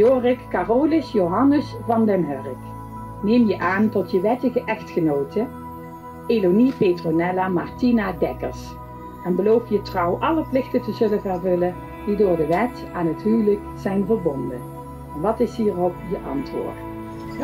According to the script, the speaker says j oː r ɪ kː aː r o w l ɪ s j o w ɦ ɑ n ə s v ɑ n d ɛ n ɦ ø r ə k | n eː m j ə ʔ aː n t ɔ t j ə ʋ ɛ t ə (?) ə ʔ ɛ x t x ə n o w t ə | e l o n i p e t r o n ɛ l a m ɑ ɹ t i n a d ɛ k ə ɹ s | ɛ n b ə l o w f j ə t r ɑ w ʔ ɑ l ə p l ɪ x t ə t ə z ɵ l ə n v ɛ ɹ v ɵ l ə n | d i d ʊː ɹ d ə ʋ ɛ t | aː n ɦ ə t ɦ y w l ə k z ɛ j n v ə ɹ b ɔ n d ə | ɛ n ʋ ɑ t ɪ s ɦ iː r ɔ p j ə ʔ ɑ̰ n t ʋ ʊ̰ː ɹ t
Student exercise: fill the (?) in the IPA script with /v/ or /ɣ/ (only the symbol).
ɣ